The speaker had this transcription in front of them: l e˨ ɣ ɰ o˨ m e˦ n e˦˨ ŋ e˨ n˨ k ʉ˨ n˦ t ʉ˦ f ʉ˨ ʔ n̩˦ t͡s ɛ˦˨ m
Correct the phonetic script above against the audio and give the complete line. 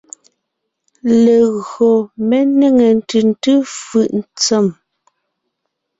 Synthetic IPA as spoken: l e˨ ɣ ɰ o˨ m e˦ n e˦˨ ŋ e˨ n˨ t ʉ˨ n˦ t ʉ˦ f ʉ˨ ʔ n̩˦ t͡s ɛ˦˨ m